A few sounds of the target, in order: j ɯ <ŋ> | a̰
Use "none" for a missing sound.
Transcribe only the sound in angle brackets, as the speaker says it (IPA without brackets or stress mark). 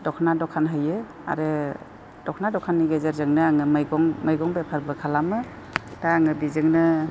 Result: none